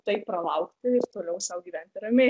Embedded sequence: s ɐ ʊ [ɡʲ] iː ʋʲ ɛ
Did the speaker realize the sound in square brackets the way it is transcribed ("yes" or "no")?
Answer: yes